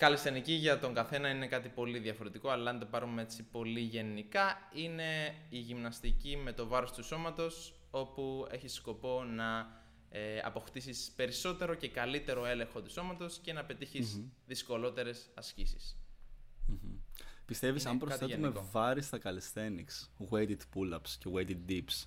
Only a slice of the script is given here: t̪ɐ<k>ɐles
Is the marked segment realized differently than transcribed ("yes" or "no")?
no